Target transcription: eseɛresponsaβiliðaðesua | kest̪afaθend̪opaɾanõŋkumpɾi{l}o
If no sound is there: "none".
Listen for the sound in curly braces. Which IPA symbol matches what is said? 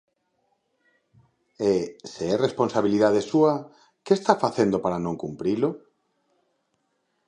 l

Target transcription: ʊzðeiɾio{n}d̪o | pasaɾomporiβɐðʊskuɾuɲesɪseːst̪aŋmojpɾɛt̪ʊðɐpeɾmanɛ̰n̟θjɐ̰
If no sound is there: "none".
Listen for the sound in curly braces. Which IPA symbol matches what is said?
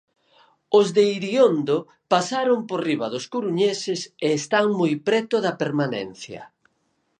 n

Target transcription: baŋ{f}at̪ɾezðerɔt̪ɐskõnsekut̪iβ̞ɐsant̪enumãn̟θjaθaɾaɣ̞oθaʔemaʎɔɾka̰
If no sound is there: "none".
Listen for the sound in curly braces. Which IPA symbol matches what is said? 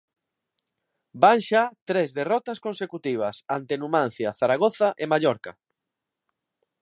ʃ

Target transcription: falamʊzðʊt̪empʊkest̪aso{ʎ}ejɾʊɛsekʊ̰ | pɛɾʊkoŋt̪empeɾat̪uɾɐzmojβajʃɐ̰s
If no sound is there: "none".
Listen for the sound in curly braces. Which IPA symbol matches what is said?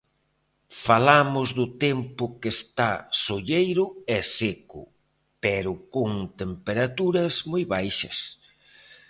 ʎ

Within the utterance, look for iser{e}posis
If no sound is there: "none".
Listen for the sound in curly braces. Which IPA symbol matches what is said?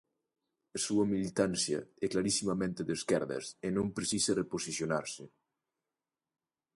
e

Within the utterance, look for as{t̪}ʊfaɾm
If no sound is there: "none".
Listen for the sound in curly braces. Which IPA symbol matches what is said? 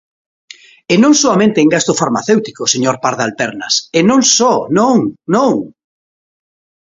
t̪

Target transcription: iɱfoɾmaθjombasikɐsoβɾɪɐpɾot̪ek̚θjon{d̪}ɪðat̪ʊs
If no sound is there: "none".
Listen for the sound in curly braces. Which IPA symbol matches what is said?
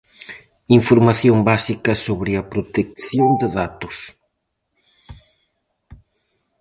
d̪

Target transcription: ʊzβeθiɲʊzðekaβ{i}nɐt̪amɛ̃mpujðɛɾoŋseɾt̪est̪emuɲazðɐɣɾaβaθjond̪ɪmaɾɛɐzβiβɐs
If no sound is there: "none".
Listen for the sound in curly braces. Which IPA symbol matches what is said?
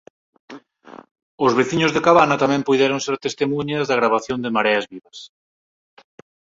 a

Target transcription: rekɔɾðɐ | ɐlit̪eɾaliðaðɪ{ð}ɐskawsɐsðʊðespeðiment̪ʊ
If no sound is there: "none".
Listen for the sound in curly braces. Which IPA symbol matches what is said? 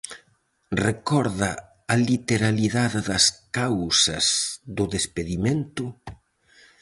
ð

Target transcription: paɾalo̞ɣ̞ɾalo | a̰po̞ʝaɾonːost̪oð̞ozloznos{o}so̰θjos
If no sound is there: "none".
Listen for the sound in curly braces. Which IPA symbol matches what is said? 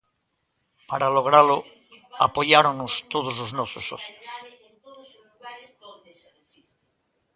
o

